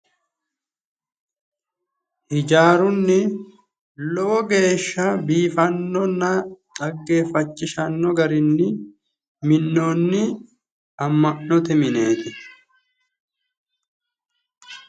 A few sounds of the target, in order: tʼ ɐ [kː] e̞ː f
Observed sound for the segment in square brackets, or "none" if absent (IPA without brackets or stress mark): ɡː